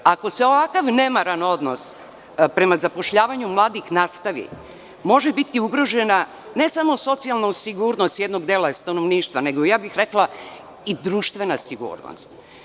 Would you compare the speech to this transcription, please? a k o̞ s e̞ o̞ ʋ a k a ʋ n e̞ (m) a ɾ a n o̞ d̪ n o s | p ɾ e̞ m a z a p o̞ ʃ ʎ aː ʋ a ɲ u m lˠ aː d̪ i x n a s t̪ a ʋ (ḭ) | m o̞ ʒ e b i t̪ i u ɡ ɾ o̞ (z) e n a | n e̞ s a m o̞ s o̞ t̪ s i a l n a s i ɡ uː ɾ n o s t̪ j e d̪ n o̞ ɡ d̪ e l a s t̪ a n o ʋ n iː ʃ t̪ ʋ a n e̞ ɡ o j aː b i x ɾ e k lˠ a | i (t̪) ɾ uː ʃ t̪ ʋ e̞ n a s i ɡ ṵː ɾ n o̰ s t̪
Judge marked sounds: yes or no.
yes, yes, no, no

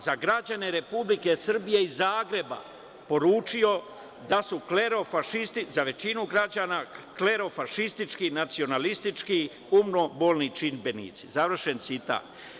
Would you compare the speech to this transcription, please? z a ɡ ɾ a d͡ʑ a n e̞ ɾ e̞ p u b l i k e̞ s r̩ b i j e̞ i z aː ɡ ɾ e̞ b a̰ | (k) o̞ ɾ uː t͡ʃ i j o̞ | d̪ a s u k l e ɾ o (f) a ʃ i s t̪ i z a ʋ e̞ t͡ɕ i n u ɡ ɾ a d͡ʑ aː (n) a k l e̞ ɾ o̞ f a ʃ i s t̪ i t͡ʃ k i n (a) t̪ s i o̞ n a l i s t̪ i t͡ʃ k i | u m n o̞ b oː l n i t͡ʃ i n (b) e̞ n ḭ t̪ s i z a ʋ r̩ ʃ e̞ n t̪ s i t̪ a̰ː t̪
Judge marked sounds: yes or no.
no, yes, yes, yes, yes

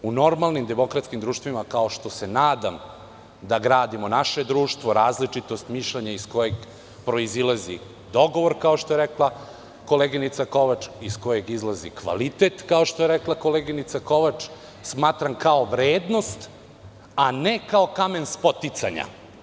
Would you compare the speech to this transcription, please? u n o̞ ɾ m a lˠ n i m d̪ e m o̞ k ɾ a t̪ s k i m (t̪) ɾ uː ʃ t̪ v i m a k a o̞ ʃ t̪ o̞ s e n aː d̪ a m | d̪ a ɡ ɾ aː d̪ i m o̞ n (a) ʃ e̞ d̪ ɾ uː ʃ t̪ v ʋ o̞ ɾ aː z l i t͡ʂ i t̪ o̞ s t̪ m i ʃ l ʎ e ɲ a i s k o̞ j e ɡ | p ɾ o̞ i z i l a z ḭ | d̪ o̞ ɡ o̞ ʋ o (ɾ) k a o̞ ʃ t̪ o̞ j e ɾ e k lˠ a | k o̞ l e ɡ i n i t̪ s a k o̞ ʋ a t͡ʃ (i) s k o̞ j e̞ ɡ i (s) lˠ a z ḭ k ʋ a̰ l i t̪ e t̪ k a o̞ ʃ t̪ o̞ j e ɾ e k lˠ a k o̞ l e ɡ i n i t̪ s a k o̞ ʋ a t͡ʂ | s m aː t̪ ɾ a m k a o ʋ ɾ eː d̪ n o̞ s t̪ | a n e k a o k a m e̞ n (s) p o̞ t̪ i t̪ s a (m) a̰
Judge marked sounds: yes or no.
no, yes, yes, yes, no, yes, no

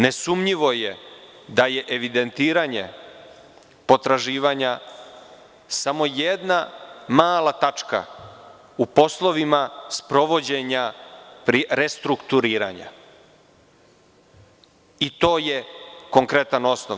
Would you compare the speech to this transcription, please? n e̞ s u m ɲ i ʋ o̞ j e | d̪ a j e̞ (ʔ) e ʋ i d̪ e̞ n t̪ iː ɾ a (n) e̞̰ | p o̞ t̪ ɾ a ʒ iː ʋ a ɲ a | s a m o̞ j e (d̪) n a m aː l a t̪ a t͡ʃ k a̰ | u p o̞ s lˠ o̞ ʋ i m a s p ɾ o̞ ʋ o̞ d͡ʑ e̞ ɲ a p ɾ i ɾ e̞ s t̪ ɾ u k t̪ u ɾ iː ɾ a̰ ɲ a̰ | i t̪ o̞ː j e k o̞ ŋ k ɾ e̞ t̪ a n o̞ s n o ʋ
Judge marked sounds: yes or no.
yes, no, yes

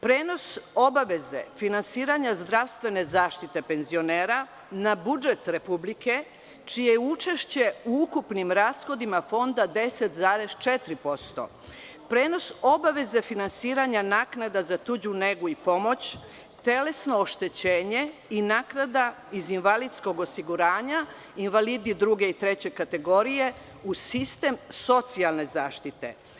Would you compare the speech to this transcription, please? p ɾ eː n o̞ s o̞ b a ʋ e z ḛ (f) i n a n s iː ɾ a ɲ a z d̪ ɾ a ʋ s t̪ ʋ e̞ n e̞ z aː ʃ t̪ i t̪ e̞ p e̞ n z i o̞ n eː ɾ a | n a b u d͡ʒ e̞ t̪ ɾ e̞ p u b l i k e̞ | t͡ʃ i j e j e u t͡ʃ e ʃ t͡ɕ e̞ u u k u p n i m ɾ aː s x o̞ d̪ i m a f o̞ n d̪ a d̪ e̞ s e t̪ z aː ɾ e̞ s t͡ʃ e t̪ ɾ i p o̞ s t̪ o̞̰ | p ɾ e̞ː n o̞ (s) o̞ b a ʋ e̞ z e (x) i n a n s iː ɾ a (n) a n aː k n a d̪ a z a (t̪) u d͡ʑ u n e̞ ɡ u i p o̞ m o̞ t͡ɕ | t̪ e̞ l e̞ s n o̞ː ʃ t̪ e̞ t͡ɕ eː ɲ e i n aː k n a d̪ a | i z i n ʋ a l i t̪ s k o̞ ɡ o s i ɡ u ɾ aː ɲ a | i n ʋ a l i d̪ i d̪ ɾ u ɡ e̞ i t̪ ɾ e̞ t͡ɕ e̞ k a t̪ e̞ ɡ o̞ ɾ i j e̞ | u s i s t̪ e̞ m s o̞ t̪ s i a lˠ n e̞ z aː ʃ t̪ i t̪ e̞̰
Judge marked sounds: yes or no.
yes, yes, no, no, yes

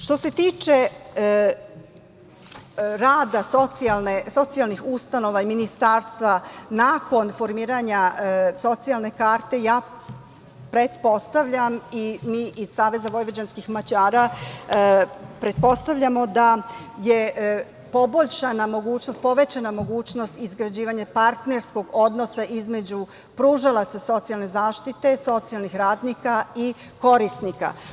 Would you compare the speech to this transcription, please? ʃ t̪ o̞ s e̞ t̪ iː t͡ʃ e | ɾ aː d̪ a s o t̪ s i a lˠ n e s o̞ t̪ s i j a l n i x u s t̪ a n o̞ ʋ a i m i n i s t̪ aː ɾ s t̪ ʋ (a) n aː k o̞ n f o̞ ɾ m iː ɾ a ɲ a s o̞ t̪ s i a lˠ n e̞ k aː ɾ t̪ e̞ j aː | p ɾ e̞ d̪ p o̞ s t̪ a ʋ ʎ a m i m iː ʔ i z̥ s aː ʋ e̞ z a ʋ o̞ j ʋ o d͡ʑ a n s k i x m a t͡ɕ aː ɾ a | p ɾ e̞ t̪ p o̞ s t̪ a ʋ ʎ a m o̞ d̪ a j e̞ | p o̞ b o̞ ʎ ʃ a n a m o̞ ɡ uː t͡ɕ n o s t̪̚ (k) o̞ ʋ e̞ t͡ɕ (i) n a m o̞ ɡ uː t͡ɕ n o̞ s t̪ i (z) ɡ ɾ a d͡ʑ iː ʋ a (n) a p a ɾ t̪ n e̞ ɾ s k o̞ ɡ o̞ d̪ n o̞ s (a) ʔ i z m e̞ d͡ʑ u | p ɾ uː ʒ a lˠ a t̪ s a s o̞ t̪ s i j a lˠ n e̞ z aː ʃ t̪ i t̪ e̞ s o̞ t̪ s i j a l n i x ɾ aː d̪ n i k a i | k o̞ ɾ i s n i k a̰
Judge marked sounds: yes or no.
yes, no, no, yes, no, yes

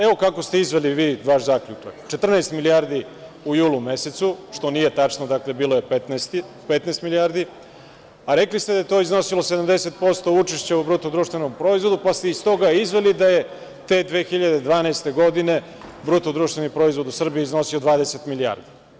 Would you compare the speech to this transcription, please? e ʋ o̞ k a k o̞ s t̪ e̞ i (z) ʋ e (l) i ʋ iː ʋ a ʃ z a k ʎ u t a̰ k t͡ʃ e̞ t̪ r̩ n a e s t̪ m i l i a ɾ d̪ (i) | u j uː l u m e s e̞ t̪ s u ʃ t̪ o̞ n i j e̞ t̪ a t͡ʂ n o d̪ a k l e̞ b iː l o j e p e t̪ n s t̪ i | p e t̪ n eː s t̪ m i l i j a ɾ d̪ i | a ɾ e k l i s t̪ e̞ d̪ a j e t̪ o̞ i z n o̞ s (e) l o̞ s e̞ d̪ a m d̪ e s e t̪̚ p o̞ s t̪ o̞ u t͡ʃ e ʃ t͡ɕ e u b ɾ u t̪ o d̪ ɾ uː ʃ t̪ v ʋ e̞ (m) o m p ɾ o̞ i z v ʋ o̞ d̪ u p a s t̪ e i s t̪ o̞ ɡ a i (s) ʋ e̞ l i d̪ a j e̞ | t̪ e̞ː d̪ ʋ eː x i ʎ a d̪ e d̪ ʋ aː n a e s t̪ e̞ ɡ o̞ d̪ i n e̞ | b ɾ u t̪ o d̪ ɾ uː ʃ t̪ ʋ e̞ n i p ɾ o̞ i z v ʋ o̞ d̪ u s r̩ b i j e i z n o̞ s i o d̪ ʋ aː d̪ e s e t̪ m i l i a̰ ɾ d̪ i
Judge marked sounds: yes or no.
yes, yes, yes, no, no, no

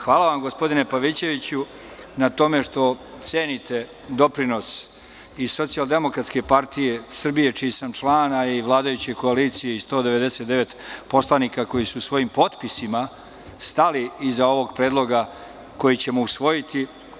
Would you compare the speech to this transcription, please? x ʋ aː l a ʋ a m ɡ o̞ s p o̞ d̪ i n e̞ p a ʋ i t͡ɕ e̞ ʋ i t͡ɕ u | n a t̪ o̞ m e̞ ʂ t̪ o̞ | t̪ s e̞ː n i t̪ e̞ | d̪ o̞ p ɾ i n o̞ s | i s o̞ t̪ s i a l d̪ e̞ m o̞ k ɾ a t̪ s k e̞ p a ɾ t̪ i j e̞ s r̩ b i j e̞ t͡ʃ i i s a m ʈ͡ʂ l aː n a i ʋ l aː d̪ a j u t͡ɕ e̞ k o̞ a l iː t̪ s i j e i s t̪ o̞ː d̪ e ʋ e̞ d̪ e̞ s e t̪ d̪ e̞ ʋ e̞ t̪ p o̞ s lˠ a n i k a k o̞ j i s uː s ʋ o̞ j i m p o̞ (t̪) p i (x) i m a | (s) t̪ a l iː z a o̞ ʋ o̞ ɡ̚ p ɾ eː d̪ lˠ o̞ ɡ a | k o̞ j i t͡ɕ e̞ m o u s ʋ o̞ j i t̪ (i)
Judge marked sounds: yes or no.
yes, no, yes, yes

